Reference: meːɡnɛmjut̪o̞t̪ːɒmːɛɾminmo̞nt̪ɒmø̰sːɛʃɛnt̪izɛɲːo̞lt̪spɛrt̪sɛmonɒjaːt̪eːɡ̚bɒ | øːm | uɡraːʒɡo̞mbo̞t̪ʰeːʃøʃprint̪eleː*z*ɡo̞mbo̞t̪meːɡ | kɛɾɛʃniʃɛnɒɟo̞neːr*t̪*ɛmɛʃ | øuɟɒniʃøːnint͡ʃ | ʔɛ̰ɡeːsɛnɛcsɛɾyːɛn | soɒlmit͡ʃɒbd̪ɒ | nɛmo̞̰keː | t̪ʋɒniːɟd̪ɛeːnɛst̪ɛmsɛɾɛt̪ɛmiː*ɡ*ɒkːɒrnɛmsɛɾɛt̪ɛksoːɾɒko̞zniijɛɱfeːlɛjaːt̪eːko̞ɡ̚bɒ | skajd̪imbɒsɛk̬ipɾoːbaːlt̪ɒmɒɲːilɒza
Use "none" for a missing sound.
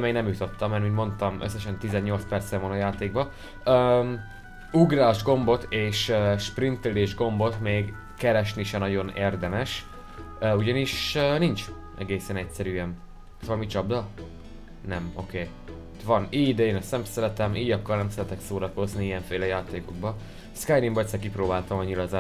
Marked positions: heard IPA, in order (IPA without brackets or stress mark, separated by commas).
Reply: ʒ, d̪, ɟ